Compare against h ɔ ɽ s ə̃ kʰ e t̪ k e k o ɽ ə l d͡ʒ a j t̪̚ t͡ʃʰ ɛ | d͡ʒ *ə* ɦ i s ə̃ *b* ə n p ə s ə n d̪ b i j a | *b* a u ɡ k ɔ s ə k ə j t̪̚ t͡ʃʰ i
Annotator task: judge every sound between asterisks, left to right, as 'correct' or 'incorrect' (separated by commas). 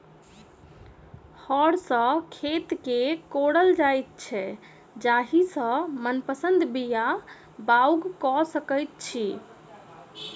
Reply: incorrect, incorrect, correct